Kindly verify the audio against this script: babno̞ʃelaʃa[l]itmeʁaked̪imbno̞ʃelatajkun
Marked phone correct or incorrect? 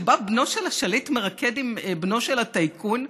correct